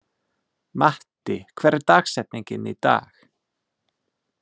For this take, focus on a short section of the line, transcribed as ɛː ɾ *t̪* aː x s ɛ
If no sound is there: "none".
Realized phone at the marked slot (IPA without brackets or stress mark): t̪